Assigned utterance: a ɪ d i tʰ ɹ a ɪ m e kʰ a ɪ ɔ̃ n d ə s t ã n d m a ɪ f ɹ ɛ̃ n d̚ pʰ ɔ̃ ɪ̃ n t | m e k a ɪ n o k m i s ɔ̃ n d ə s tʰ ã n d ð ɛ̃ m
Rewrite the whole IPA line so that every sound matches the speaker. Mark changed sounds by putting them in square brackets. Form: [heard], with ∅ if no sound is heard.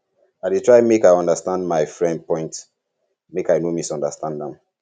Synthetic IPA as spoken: a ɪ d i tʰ ɹ a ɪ m e [k] a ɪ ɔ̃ n d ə s t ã n d m a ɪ f ɹ ɛ̃ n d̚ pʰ ɔ̃ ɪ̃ n t | m e k a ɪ n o [∅] m i s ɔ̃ n d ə s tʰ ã n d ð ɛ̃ m